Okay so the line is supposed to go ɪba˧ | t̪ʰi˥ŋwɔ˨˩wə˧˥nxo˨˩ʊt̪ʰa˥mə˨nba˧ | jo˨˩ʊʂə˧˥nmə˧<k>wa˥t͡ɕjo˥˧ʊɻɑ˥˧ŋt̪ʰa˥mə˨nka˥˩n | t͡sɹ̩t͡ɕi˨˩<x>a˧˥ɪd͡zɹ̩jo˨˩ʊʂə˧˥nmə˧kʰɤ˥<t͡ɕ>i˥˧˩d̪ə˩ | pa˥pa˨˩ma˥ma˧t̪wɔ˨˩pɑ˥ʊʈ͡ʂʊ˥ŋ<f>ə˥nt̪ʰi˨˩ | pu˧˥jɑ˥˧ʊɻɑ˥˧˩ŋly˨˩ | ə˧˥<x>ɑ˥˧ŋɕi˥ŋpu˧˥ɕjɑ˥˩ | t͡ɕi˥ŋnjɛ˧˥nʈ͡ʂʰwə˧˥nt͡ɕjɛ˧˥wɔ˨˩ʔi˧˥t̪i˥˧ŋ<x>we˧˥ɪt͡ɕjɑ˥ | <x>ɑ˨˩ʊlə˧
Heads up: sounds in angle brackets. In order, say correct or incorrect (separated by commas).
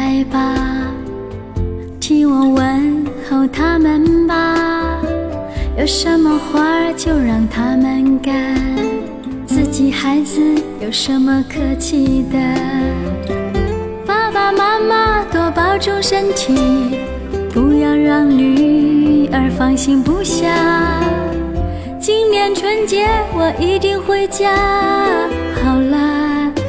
incorrect, correct, incorrect, incorrect, incorrect, correct, correct